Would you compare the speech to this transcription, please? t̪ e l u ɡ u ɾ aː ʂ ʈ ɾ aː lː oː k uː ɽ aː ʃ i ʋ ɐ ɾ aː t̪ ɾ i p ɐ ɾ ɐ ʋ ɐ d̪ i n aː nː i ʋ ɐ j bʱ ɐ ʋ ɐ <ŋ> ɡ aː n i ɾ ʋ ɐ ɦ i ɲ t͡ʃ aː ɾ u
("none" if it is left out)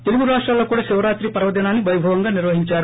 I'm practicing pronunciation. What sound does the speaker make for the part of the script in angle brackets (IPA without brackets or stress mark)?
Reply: ŋ